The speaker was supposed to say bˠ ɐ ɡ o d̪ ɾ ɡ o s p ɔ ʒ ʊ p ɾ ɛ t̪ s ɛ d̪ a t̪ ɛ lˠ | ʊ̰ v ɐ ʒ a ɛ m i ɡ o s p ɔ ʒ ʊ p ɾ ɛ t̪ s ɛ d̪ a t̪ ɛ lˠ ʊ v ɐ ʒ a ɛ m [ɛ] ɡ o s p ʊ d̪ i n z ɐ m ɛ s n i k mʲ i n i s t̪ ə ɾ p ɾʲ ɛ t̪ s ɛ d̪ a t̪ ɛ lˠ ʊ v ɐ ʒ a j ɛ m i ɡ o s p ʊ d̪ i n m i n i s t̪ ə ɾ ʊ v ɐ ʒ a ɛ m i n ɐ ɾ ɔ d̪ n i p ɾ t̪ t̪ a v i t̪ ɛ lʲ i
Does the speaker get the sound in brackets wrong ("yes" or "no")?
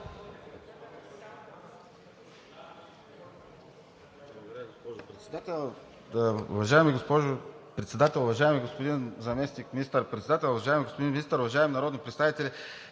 yes